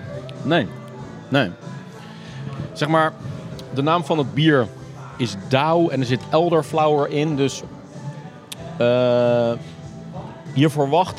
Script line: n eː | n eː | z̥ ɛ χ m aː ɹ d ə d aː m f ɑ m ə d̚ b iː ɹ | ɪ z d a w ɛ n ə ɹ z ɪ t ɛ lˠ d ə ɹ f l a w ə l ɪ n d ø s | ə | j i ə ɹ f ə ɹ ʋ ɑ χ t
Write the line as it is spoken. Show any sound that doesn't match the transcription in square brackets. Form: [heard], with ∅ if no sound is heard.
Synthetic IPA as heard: n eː | n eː | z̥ ɛ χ m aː ɹ d ə [n] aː m f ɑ [n] ə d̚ b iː ɹ | ɪ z d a w ɛ n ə ɹ z ɪ t ɛ lˠ d ə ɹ f l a w ə [ɹ] ɪ n d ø s | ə | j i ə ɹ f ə ɹ ʋ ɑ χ t